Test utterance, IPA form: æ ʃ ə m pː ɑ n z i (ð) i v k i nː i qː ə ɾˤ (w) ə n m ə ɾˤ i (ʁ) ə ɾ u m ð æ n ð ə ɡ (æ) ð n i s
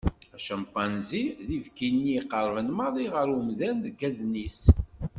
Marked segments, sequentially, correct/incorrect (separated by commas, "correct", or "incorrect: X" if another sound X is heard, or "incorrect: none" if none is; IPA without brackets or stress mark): correct, incorrect: v, correct, correct